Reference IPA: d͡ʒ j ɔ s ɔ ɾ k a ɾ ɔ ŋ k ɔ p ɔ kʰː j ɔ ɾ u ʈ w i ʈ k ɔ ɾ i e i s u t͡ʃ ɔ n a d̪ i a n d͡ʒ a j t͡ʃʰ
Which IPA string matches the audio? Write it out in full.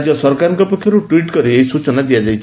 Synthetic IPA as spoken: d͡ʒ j ɔ s ɔ ɾ k a ɾ ɔ ŋ k ɔ p ɔ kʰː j ɔ ɾ u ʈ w i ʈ k ɔ ɾ i e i s u t͡ʃ ɔ n a d̪ i a d͡ʒ a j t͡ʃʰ